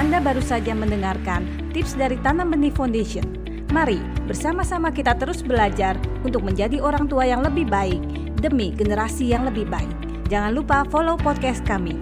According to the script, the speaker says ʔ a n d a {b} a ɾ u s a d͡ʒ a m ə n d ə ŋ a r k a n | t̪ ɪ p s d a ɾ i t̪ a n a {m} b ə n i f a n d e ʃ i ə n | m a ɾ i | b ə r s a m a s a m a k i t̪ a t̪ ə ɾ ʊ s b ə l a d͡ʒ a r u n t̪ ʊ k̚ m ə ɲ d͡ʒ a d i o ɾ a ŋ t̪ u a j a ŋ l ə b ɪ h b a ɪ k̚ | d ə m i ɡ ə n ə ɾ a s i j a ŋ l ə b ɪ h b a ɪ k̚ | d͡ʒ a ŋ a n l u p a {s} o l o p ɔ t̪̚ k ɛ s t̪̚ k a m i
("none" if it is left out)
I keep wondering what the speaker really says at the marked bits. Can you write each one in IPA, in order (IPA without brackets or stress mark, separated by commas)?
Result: b, m, f